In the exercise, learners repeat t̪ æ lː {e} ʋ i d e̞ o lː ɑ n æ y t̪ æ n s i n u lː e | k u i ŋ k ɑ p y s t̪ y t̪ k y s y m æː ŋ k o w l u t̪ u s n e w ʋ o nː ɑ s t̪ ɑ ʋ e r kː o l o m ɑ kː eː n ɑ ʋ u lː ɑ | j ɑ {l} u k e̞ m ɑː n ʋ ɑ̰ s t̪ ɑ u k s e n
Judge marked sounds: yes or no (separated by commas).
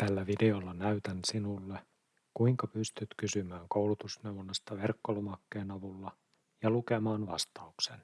no, yes